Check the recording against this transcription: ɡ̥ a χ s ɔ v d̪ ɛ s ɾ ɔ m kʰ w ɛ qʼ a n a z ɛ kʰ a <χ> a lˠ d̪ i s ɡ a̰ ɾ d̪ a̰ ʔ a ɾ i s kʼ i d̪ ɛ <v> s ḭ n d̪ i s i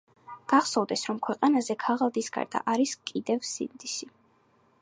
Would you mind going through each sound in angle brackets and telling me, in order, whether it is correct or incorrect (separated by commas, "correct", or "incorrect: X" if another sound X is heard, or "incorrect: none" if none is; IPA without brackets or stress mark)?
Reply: incorrect: ʁ, correct